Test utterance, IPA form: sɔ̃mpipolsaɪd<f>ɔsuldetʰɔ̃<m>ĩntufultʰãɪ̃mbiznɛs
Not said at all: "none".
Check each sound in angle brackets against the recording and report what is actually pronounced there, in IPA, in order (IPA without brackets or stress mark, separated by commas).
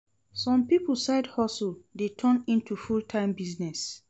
h, n